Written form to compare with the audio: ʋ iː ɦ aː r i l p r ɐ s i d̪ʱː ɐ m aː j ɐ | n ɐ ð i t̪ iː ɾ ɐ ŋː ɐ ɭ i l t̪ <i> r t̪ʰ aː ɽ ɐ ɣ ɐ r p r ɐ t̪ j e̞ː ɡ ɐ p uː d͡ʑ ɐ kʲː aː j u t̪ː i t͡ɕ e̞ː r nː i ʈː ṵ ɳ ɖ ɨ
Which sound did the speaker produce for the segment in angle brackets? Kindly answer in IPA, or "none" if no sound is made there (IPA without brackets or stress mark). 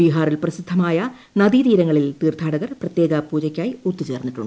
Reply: iː